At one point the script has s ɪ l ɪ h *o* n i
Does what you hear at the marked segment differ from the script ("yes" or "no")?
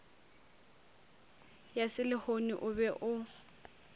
no